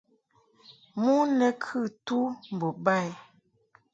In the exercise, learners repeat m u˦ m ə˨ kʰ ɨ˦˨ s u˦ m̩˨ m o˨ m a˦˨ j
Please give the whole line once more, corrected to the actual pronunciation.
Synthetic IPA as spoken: m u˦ n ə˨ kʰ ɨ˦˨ t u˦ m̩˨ b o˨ b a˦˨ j